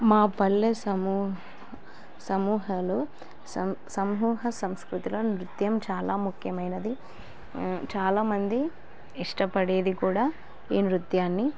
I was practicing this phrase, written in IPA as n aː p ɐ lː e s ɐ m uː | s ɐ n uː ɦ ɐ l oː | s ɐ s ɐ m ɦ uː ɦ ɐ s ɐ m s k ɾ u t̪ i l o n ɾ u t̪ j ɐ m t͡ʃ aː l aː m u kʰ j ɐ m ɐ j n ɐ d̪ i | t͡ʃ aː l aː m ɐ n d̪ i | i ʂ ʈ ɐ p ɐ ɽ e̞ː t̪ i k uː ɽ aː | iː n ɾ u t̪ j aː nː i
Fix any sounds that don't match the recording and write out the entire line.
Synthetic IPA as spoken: m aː p ɐ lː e s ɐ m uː | s ɐ m uː ɦ ɐ l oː | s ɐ s ɐ m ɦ uː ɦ ɐ s ɐ m s k ɾ u t̪ i l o n ɾ u t̪ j ɐ m t͡ʃ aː l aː m u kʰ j ɐ m ɐ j n ɐ d̪ i | t͡ʃ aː l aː m ɐ n d̪ i | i ʂ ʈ ɐ p ɐ ɽ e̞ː d̪ i k uː ɽ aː | iː n ɾ u t̪ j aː nː i